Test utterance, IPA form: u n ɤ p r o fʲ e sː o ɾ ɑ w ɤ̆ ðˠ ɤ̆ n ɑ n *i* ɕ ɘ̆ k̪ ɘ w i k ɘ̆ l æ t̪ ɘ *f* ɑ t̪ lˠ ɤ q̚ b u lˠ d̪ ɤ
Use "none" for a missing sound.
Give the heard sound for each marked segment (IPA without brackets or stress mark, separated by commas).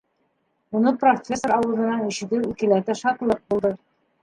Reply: i, ʃ